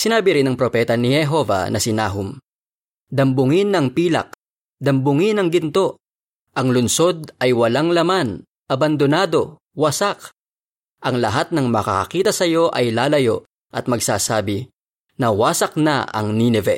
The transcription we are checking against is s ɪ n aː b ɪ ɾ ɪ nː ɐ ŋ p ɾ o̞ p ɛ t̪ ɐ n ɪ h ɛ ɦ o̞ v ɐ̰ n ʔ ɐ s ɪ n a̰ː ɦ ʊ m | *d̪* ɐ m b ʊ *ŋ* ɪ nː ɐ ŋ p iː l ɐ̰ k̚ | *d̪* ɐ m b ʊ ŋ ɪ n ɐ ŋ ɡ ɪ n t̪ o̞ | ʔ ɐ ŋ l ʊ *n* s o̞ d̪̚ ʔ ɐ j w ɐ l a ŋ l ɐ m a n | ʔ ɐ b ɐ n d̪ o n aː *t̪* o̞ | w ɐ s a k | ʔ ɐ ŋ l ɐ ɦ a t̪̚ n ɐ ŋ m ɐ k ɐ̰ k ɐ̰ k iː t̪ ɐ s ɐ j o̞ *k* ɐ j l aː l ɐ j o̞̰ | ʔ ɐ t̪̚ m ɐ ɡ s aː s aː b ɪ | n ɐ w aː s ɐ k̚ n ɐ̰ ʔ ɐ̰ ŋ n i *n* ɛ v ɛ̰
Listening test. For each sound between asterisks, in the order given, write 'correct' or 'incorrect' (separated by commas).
correct, correct, correct, correct, incorrect, incorrect, correct